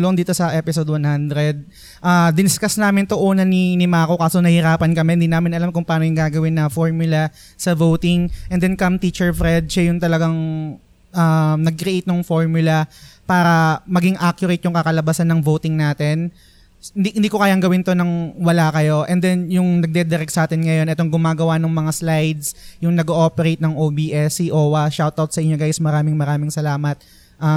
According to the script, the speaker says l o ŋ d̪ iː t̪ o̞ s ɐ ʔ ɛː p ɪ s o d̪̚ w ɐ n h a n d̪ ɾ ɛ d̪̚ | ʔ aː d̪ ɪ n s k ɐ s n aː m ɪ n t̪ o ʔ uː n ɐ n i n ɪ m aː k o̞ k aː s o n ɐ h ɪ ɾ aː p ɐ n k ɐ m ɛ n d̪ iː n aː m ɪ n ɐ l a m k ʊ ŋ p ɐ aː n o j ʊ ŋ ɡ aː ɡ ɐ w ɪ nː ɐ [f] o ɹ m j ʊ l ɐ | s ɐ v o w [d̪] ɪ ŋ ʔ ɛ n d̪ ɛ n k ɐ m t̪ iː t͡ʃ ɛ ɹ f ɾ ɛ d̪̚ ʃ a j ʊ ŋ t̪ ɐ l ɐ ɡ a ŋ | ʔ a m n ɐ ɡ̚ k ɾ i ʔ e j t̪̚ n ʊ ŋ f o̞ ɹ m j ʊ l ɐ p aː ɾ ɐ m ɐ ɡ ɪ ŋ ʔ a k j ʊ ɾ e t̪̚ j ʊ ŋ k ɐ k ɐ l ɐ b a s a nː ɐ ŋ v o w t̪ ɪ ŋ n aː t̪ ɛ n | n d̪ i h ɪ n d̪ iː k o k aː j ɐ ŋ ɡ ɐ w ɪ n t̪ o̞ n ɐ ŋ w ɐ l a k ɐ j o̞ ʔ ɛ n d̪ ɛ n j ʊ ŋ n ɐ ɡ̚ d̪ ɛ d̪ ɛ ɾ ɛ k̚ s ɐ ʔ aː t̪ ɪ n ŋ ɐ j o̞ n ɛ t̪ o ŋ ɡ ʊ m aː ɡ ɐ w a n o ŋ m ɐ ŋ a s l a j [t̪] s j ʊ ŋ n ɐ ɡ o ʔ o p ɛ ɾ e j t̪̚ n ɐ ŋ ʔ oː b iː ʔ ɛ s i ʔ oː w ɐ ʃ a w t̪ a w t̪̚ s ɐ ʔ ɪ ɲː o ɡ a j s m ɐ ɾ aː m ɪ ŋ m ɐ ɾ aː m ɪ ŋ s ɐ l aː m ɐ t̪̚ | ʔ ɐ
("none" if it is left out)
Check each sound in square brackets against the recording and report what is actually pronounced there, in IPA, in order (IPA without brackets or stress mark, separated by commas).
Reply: f, t̪, d̪